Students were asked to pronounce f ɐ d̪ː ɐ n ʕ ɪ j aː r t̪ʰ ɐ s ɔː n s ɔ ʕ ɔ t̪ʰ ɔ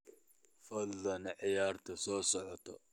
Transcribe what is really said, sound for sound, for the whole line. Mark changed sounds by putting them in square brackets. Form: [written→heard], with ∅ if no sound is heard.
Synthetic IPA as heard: f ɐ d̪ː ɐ n ʕ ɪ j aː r t̪ʰ ɐ s ɔː [n→∅] s ɔ ʕ ɔ t̪ʰ ɔ